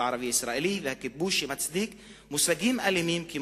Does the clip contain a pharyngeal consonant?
yes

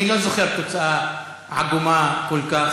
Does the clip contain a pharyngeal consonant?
yes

